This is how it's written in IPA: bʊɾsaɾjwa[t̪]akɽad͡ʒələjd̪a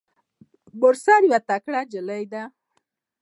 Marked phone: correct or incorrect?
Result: correct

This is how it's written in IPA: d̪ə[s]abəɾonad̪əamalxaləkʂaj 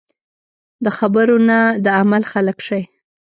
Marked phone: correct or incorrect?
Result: incorrect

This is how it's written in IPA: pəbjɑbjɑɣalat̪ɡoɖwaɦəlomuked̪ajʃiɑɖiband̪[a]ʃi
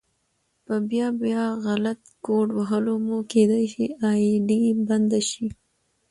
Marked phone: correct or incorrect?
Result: correct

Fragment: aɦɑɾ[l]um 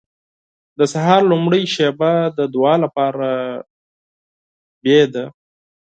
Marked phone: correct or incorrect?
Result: correct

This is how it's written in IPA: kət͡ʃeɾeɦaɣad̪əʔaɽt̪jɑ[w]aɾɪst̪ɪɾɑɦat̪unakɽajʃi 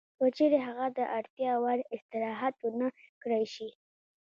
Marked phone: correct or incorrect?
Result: correct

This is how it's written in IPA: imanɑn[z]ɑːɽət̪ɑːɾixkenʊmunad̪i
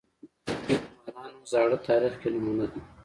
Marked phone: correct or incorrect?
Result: correct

